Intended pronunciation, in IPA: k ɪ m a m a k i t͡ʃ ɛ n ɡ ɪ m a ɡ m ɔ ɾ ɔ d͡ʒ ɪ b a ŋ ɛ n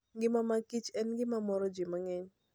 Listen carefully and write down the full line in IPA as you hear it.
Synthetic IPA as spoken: ɡ ɪ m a m a k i t͡ʃ ɛ n ɡ ɪ m a m ɔ ɾ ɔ d͡ʒ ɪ m a ŋ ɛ ɲ